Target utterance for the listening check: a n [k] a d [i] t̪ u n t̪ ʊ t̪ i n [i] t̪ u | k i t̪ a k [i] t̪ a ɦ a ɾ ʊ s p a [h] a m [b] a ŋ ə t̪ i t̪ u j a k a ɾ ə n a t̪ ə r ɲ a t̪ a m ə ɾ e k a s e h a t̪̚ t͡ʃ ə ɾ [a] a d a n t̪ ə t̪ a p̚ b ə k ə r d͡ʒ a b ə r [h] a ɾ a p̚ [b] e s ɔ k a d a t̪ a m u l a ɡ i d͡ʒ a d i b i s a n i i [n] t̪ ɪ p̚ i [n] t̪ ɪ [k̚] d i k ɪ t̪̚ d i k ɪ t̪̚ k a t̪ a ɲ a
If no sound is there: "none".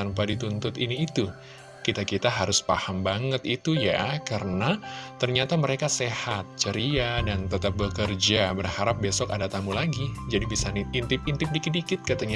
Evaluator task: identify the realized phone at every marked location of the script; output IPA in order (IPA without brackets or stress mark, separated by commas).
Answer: p, i, iː, i, h, b, i, h, b, n, n, p̚